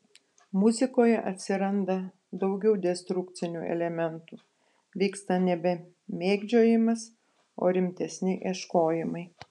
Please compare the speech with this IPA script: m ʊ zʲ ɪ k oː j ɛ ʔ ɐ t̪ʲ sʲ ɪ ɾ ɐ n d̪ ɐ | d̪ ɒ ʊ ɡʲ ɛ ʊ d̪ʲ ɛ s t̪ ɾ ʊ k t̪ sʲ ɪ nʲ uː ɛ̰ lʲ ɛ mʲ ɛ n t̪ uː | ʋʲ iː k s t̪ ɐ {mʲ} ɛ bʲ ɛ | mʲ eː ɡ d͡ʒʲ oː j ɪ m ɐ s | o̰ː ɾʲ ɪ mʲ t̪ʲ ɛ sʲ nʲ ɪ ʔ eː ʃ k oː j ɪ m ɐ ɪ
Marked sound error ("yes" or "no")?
yes